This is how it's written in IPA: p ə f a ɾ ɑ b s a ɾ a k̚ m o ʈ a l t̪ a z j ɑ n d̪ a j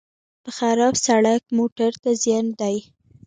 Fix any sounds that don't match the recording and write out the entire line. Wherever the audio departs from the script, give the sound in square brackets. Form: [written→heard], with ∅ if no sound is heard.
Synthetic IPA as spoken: p ə [f→x] a ɾ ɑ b s a [ɾ→ɽ] a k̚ m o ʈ a [l→ɾ] t̪ a z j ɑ n d̪ a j